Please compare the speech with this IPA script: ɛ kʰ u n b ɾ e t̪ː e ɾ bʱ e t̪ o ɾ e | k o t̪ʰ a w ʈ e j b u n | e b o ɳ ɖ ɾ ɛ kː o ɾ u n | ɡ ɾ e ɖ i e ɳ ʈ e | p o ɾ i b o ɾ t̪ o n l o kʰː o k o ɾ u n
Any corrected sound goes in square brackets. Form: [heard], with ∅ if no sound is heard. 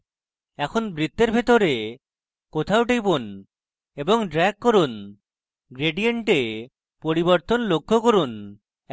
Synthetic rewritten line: ɛ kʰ [o] n b ɾ [i] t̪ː e ɾ bʱ e t̪ o ɾ e | k o t̪ʰ a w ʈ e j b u n | e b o [ŋ] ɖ ɾ ɛ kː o ɾ u n | ɡ ɾ e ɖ i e ɳ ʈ e | p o ɾ i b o ɾ t̪ o n l o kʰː o k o ɾ u n